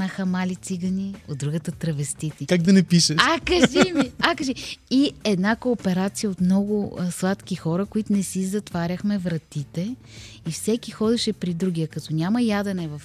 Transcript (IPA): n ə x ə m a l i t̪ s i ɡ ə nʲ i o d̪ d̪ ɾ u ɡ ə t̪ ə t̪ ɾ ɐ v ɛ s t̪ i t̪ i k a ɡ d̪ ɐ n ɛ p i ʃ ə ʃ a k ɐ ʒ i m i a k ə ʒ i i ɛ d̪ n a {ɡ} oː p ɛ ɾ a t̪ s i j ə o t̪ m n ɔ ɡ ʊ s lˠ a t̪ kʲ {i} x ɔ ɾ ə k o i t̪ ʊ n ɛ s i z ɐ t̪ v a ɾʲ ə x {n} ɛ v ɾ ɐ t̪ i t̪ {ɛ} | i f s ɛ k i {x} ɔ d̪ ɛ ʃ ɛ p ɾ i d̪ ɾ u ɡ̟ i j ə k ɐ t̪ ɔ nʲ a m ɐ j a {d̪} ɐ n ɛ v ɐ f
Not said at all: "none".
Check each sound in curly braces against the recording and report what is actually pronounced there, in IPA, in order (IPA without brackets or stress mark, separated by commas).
k, i, m, ɛ, x, d̪